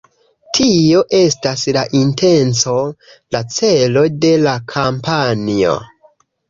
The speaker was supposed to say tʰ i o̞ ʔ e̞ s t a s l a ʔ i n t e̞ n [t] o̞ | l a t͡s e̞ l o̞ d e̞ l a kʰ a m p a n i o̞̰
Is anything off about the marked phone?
yes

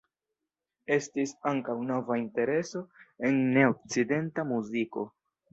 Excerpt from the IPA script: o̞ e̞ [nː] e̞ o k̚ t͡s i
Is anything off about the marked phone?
no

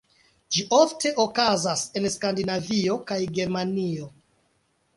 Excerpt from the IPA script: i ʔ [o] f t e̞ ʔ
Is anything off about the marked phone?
no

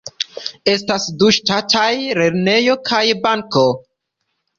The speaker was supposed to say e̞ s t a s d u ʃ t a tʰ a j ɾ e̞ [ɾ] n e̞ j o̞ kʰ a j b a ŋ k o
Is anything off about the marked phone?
no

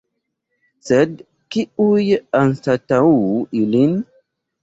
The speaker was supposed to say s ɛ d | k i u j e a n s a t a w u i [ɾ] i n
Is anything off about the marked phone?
yes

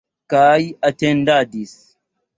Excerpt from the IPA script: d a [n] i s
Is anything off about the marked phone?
yes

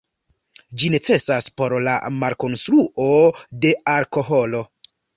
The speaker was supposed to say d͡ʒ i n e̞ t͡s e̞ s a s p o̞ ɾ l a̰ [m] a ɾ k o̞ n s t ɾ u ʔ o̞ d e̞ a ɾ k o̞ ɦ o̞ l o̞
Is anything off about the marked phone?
no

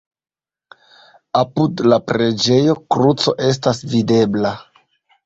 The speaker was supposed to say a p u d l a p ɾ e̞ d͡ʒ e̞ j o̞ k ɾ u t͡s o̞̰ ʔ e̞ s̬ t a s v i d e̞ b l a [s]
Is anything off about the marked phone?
yes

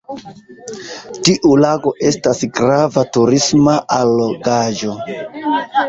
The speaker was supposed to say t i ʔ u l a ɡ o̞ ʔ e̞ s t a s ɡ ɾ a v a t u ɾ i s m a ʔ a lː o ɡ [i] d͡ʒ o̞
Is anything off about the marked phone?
yes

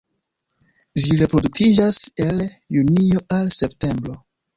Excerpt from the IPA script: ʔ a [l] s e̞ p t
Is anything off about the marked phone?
no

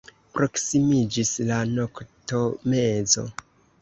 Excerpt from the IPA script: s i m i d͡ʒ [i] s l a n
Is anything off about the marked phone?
no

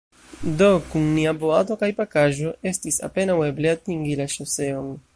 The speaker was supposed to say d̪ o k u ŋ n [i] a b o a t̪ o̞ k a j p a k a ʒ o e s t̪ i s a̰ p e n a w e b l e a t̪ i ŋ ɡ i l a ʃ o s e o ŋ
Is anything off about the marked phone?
no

